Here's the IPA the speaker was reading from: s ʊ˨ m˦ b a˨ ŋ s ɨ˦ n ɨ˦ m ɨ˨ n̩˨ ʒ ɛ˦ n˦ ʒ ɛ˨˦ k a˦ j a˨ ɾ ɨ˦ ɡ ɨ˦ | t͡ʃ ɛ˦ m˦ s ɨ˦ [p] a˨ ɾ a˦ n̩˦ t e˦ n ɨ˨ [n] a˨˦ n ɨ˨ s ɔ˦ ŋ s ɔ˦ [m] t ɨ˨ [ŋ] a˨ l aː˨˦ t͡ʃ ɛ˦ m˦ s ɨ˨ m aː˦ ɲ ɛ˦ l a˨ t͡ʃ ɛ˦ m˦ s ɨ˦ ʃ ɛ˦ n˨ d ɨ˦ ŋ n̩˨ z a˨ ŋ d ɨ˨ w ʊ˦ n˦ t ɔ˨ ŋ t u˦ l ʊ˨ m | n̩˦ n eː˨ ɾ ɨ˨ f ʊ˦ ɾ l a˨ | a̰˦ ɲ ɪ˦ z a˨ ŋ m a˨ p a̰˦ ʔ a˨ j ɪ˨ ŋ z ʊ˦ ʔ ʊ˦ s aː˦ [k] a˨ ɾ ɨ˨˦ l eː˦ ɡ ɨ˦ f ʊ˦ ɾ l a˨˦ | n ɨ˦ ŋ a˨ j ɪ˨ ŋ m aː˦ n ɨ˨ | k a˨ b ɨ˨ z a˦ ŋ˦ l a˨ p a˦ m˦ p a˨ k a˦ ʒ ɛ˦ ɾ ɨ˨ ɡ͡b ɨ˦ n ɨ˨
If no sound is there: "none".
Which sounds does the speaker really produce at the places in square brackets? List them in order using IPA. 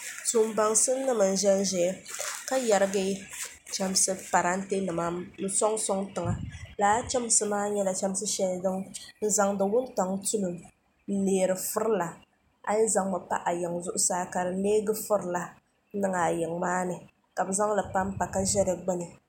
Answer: p, m, ŋ, ŋ, k

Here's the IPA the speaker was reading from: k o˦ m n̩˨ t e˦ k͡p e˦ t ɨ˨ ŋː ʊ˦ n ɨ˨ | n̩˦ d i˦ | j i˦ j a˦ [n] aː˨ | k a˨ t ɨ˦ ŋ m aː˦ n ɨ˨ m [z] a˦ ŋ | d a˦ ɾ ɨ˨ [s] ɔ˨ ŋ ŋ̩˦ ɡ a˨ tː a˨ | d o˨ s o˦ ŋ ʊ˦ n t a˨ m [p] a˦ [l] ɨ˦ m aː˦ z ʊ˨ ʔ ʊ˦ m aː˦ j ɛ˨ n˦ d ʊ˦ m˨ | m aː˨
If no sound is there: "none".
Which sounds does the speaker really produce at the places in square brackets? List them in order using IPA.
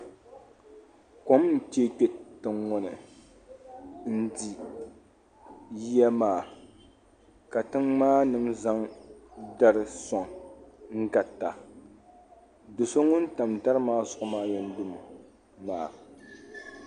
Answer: m, z, s, t, ɾ

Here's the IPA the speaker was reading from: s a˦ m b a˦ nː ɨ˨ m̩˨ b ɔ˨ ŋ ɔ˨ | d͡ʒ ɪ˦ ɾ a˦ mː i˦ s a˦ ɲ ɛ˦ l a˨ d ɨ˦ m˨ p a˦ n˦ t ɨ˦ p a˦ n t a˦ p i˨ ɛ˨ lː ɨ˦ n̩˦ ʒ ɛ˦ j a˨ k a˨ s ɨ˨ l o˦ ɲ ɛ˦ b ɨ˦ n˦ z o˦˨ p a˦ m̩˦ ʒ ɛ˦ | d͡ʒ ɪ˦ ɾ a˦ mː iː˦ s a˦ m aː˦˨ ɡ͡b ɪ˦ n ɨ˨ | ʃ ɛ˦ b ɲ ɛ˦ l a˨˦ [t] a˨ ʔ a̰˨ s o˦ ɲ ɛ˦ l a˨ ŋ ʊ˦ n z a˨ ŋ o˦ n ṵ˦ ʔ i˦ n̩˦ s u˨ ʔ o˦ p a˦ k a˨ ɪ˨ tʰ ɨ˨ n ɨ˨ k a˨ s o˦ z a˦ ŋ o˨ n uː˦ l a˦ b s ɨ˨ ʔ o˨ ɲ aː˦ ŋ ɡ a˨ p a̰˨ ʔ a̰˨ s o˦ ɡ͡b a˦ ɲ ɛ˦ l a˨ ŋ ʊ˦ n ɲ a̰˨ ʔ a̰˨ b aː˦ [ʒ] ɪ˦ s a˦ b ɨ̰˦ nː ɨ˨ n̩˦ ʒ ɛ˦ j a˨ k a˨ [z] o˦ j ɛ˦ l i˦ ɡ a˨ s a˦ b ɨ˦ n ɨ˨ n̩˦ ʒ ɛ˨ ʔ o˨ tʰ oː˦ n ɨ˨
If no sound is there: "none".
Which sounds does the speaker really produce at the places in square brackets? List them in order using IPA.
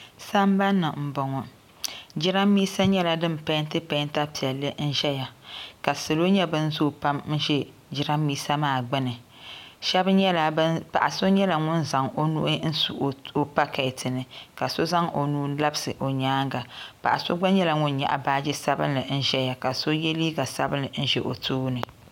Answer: p, d͡ʒ, s

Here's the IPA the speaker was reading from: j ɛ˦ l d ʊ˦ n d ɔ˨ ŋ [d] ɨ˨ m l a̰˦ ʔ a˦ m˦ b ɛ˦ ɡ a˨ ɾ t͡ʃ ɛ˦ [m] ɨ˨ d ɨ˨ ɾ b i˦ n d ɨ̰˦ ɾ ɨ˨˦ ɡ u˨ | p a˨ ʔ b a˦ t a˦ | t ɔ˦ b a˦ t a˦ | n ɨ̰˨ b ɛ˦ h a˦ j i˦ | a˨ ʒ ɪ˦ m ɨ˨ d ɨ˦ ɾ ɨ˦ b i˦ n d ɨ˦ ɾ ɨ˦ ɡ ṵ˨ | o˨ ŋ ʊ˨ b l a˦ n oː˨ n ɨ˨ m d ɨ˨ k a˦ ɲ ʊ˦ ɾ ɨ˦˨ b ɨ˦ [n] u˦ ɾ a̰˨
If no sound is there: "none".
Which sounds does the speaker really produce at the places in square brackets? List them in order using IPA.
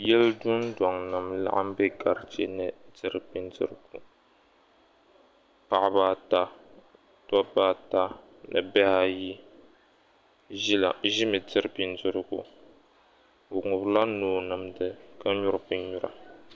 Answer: n, n, ɲ

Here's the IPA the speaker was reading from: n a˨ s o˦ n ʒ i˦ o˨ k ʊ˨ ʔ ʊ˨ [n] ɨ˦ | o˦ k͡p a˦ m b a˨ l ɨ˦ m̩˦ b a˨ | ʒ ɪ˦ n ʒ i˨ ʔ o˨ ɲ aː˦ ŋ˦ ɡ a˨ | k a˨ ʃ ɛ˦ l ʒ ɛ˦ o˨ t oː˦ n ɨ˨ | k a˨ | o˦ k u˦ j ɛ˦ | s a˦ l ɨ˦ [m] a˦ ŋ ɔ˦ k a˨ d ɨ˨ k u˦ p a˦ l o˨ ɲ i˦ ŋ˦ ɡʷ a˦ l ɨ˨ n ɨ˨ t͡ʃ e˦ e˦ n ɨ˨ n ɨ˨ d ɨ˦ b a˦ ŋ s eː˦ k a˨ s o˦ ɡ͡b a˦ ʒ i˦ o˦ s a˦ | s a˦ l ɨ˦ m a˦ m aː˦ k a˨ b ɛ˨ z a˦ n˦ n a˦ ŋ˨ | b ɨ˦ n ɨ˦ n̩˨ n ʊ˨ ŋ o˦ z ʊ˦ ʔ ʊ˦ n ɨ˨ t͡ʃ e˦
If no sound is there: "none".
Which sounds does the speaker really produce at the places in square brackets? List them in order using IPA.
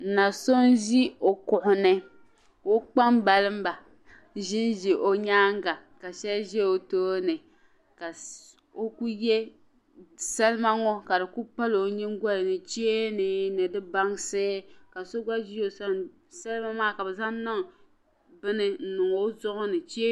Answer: n, m

